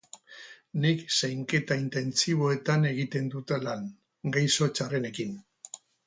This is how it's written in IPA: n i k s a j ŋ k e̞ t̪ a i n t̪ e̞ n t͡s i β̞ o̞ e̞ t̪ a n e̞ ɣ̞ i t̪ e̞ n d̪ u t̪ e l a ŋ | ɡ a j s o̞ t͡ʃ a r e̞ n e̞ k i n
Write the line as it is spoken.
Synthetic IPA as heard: n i k s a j ŋ k e̞ t̪ a i n t̪ e̞ n t͡s i β̞ o̞ e̞ t̪ a n e̞ ɣ̞ i t̪ e̞ n d̪ u t̪ e l a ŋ | ɡ a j s o̞ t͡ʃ a r e̞ n e̞ k i n